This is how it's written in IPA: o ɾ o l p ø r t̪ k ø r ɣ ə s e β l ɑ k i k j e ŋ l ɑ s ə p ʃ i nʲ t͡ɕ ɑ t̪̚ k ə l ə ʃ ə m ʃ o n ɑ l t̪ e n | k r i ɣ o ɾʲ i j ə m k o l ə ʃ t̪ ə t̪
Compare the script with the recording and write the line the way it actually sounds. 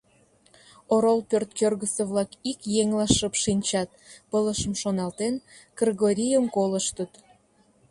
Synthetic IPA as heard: o ɾ o l p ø r t̪ k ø r ɣ ə s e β l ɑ k i k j e ŋ l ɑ ʃ ə p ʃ i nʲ t͡ɕ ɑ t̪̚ p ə l ə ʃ ə m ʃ o n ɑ l t̪ e n | k r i ɣ o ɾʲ i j ə m k o l ə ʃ t̪ ə t̪